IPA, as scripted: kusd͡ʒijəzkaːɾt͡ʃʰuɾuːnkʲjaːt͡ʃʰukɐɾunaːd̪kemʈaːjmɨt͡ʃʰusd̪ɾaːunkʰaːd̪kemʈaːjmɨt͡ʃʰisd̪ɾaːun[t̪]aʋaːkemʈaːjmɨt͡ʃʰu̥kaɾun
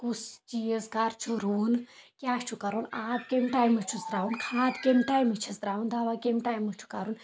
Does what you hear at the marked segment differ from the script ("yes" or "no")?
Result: yes